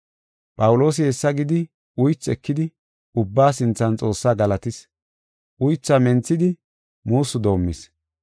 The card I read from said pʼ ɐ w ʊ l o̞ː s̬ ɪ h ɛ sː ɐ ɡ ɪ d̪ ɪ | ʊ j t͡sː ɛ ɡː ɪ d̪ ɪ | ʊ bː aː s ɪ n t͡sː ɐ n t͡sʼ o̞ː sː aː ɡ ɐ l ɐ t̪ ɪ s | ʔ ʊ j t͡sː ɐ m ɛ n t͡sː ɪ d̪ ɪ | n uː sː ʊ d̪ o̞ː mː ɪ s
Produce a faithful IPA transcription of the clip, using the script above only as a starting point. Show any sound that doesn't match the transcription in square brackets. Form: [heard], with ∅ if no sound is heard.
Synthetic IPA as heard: pʼ ɐ w ʊ l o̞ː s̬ ɪ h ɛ sː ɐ ɡ ɪ d̪ ɪ | ʊ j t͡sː ɛ [kː] ɪ d̪ ɪ | ʊ bː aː s ɪ n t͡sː ɐ n t͡sʼ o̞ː sː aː ɡ ɐ l ɐ t̪ ɪ s | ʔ ʊ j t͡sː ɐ m ɛ n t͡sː ɪ d̪ ɪ | [m] uː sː ʊ d̪ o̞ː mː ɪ s